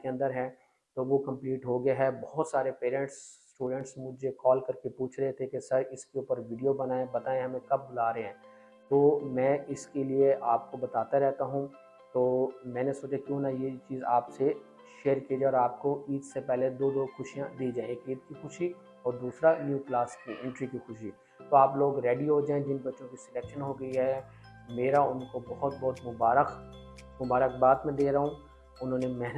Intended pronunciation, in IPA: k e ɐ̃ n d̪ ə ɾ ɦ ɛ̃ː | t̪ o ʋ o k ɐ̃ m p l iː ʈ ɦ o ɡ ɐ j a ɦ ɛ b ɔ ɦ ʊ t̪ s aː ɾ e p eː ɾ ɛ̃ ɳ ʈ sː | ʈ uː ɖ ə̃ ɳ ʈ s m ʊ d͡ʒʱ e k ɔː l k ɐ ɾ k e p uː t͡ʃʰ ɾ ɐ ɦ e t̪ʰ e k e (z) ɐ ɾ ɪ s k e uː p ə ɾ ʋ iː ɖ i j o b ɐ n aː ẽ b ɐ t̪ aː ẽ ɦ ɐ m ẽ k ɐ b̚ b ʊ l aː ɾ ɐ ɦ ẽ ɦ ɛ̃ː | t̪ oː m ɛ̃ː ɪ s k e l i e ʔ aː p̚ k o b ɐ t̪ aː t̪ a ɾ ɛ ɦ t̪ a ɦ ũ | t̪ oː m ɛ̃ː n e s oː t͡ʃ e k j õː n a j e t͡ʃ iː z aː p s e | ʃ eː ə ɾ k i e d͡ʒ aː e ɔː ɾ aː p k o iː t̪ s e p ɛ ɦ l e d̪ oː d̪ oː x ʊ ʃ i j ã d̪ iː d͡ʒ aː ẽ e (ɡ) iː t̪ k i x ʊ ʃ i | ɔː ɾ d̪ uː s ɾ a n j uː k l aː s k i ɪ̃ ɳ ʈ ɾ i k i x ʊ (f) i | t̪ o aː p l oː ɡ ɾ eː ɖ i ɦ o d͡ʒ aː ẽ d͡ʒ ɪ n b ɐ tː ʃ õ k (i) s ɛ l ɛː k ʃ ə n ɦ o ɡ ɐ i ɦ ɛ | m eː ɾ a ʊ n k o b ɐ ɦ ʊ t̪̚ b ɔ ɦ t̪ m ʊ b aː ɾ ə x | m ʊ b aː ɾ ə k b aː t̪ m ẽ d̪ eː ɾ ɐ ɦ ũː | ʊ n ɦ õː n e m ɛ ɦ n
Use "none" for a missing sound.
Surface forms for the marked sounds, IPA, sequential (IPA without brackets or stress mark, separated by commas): s, k, ʃ, i